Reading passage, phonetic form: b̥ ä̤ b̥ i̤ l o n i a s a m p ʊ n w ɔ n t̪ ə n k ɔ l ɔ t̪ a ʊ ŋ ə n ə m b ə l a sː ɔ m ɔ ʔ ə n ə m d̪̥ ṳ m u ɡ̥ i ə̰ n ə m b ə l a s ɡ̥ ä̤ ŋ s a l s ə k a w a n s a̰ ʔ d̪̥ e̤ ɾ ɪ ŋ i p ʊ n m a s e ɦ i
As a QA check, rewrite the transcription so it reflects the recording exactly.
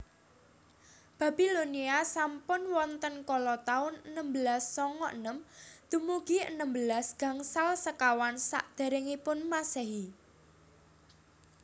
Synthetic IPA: b̥ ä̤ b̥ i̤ l o n i a s a m p ʊ n w ɔ n t̪ ə n k ɔ l ɔ t̪ a ʊ n ə n ə m b ə l a sː ɔ ŋ ɔ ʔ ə n ə m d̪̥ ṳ m u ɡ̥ i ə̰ n ə m b ə l a s ɡ̥ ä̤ ŋ s a l s ə k a w a n s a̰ ʔ d̪̥ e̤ ɾ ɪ ŋ i p ʊ n m a s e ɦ i